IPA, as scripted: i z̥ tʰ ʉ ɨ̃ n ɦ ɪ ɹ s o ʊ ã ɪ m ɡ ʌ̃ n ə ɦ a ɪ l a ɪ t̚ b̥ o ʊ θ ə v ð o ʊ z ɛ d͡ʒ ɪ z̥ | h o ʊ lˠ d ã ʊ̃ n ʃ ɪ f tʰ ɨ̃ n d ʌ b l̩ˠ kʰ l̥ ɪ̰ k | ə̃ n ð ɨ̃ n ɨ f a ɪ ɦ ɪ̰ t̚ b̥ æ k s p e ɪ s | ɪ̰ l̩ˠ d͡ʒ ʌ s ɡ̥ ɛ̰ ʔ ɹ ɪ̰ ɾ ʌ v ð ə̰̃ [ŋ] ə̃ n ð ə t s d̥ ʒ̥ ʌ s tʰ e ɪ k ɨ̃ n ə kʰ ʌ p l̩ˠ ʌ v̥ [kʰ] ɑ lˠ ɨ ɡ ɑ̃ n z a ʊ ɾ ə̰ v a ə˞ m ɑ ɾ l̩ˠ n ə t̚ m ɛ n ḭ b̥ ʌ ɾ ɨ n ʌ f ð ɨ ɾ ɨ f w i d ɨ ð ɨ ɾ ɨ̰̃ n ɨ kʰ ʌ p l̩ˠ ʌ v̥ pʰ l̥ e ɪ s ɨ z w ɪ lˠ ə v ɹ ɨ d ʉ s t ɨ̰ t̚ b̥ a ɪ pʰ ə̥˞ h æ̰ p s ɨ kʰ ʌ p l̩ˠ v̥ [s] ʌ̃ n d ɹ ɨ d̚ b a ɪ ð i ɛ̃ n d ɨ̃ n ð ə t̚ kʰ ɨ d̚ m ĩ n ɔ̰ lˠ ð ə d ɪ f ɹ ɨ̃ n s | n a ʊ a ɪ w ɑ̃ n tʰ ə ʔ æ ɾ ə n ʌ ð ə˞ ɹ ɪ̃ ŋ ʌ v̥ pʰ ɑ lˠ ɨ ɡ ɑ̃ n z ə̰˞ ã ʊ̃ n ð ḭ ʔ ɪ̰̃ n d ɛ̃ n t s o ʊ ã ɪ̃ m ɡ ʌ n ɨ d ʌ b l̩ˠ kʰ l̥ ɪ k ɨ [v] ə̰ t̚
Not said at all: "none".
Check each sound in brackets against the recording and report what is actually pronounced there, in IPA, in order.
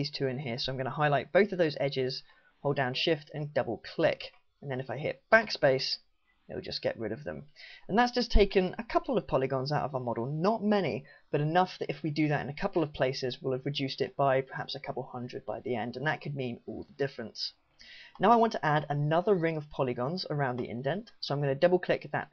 m, pʰ, h, ð

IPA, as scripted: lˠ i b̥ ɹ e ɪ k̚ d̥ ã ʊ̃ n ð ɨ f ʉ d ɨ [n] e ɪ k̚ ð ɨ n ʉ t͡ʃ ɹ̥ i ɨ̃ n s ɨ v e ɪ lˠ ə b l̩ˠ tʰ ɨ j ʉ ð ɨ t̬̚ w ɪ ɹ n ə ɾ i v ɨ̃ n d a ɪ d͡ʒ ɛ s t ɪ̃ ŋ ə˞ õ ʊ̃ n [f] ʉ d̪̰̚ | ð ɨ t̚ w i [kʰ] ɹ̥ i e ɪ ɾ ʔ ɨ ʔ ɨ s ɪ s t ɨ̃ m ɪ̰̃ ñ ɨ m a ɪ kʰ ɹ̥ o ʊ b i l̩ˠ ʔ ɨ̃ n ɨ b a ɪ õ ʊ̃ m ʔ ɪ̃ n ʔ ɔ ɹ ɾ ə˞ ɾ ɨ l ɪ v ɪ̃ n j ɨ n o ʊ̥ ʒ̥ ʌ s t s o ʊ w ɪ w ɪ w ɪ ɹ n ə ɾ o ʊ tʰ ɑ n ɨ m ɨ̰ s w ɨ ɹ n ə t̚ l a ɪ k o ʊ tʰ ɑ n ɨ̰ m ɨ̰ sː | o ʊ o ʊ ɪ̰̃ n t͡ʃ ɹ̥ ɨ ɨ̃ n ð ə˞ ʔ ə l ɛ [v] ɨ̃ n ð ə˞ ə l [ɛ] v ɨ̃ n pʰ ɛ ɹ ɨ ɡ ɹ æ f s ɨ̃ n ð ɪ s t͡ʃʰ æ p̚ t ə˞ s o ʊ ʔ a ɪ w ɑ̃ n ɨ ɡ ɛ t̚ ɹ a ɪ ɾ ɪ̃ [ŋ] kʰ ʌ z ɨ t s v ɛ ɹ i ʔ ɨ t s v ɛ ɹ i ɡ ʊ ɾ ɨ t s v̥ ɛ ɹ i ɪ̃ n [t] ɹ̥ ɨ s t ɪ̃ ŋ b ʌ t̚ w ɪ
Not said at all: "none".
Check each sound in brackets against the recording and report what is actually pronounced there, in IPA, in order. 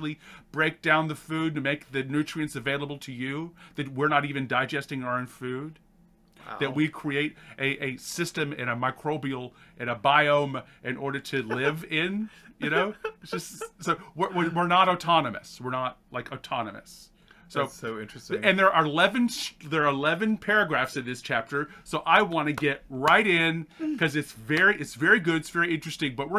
m, f, kʰ, v, ɛ, n, t͡ʃ

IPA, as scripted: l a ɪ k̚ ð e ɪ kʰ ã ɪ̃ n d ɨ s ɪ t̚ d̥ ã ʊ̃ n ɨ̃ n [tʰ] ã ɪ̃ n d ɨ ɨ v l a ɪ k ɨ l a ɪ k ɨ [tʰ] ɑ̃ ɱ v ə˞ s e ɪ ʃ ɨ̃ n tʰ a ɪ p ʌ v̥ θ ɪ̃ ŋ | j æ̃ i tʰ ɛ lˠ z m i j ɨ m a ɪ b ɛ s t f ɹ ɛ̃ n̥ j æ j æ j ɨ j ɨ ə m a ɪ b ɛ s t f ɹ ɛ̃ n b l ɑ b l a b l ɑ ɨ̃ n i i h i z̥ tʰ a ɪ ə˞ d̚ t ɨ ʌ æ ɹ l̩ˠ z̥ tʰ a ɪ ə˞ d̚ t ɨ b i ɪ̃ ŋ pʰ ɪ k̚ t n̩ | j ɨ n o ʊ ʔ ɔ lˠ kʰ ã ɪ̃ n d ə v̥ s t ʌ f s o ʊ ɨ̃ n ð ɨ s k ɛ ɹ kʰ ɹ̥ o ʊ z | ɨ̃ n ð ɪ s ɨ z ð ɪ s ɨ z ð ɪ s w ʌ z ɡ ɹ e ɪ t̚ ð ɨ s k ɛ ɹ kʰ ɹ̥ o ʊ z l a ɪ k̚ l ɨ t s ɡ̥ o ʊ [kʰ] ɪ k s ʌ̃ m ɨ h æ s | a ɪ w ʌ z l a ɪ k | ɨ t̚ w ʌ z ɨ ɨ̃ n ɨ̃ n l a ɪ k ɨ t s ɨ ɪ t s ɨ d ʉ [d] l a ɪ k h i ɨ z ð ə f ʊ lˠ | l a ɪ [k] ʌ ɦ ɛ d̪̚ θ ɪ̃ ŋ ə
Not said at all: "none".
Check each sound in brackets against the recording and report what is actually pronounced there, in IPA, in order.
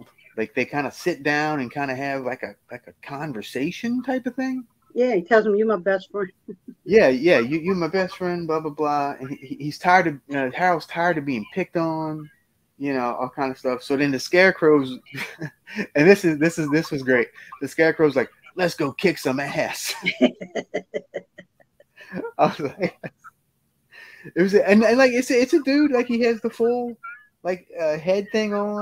kʰ, kʰ, kʰ, d, k

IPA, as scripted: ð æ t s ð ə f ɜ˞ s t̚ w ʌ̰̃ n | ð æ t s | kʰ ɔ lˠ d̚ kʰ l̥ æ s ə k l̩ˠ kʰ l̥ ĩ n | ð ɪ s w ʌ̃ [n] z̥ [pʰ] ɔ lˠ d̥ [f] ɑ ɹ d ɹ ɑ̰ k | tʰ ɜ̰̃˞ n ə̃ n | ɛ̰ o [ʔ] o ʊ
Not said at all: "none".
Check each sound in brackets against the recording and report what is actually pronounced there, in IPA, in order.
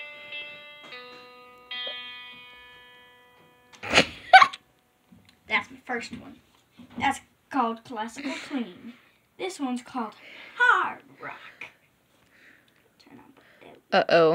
n, kʰ, h, ʔ

